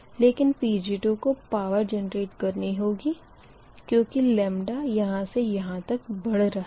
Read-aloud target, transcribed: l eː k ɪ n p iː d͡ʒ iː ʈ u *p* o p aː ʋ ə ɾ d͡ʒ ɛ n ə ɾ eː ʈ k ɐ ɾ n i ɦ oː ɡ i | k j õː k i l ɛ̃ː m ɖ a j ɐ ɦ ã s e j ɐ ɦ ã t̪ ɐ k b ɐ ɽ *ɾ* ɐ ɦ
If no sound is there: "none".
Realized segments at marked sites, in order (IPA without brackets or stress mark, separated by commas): k, ɾ